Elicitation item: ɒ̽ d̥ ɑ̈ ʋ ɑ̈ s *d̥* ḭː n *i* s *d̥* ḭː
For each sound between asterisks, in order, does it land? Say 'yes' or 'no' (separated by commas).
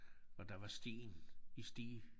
yes, yes, yes